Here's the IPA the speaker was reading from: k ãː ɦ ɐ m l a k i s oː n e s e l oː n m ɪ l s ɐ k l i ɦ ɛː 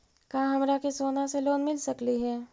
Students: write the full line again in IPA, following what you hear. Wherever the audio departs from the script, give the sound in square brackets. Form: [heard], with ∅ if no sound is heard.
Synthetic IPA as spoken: k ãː ɦ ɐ m [ɾ] a k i s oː n [a] s e l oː n m ɪ l s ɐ k l i ɦ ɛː